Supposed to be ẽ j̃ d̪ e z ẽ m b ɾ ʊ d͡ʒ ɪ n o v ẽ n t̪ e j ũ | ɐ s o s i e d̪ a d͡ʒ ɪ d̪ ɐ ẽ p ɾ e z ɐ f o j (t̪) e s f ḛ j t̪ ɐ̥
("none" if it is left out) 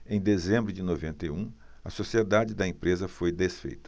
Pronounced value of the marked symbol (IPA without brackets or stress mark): d̪